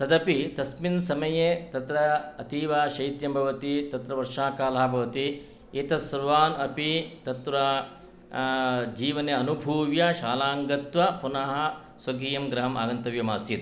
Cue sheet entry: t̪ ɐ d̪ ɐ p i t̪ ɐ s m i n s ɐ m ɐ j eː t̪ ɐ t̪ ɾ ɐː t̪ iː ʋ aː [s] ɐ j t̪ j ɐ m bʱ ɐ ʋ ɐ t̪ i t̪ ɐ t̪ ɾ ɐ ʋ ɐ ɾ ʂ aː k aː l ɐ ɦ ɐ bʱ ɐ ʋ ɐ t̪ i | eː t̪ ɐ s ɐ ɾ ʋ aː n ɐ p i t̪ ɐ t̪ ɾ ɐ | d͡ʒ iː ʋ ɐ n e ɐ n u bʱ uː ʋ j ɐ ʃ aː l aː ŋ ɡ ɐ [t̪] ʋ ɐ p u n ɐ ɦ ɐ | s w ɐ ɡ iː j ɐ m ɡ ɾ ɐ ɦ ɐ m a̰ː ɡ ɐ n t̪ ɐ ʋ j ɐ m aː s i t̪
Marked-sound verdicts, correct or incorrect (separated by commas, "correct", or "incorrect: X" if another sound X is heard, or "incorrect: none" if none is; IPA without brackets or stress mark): incorrect: ʃ, correct